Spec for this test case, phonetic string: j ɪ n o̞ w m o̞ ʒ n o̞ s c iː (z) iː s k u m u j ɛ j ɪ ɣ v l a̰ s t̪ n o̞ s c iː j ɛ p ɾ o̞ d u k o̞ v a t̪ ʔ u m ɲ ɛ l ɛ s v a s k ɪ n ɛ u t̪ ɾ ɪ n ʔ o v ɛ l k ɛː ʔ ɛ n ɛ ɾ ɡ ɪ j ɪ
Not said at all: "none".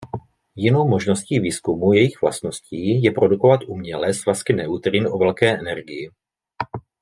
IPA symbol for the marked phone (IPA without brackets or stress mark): v